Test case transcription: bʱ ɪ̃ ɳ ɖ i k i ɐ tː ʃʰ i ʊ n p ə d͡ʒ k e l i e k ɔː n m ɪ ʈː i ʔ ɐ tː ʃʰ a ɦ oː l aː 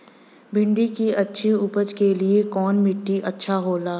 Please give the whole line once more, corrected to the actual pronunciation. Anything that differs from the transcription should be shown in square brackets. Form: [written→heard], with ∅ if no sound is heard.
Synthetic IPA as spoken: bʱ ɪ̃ ɳ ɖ i k i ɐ tː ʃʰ i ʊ [n→∅] p ə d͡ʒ k e l i e k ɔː n m ɪ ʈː i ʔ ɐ tː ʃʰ a ɦ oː l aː